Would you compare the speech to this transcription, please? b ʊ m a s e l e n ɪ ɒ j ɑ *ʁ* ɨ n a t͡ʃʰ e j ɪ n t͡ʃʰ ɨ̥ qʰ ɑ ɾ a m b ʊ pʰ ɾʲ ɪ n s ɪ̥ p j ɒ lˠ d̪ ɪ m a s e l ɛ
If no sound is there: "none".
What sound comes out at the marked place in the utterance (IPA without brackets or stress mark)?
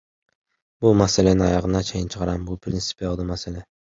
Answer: ʁ